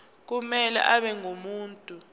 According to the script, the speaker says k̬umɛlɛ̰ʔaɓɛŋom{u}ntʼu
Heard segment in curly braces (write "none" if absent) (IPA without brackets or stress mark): uː